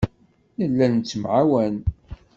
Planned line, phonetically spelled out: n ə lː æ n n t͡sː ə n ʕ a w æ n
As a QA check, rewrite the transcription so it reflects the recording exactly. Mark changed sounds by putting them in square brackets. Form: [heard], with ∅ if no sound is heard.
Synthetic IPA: n ə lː æ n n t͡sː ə [m] ʕ a w æ n

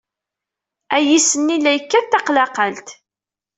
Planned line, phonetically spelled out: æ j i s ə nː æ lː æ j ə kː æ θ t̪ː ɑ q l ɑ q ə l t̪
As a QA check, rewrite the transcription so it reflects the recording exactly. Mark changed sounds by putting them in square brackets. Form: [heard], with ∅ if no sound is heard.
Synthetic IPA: æ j i s ə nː [i] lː æ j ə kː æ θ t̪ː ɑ q l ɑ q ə l t̪

